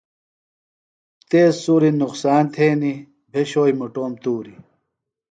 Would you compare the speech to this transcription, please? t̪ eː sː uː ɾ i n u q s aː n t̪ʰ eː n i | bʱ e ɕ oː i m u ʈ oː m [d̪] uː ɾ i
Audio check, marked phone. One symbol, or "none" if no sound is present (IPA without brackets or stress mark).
t̪